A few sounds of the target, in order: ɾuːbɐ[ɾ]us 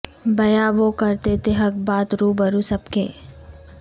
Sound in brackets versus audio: correct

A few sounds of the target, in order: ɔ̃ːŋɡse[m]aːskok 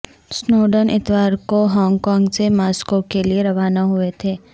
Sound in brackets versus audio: correct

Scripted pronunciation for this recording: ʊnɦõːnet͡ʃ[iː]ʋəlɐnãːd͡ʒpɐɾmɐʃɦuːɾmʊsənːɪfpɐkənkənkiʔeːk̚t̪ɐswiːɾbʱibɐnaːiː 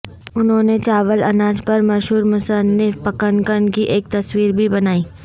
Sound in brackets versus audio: incorrect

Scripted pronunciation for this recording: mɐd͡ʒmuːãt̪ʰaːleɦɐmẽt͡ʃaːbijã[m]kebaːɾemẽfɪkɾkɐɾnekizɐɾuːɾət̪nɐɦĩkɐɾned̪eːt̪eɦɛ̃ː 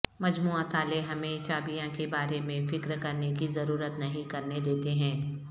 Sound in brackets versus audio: incorrect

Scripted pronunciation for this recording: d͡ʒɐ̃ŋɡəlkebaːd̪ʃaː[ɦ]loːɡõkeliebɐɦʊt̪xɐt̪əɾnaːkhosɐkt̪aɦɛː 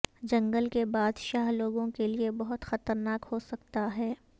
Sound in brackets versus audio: correct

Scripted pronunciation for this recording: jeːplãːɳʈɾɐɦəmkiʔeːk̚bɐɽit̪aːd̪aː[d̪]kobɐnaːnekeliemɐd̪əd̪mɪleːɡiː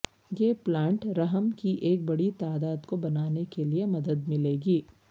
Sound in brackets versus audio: correct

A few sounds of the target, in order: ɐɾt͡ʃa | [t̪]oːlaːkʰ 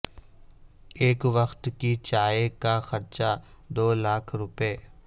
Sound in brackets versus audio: incorrect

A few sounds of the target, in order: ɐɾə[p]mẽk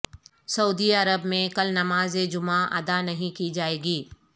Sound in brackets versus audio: incorrect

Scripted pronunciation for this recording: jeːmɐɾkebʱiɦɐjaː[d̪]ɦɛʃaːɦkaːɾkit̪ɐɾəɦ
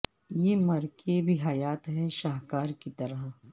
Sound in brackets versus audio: incorrect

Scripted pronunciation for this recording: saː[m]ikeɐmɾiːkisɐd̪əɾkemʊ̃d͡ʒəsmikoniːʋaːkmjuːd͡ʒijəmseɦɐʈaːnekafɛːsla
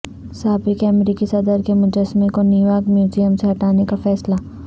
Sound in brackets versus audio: incorrect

